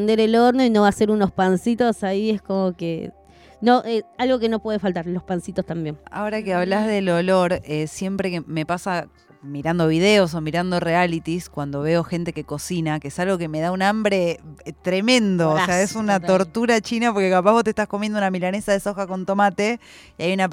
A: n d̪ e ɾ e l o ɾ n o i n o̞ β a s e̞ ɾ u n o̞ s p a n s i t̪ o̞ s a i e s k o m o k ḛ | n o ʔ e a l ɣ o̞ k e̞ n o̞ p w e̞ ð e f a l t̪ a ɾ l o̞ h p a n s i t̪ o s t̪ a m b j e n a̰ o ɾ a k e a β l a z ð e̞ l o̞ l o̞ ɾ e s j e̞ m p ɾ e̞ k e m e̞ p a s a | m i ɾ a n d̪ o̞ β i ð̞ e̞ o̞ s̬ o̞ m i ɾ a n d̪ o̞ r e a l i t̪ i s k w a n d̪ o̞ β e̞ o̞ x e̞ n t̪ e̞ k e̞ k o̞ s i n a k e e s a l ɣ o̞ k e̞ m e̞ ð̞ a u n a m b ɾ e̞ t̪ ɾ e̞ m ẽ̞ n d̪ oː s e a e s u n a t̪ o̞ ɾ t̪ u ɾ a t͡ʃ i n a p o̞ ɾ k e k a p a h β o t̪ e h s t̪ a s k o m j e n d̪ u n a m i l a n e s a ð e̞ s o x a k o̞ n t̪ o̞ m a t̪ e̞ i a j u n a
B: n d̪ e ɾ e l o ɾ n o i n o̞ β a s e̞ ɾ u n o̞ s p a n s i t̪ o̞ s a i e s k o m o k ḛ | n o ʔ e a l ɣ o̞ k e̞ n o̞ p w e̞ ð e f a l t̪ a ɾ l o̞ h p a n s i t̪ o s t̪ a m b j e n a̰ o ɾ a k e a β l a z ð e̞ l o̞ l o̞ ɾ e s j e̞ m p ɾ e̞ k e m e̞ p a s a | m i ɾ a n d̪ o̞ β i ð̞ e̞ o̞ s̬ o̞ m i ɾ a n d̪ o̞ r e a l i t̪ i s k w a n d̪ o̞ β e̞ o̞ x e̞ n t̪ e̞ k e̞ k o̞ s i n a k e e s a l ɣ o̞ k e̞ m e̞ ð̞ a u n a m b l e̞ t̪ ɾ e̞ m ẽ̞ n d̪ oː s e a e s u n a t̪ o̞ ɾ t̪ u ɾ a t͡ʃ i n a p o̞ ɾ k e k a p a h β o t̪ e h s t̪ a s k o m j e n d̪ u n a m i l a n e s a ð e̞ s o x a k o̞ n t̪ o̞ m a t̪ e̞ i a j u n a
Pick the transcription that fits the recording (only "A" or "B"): A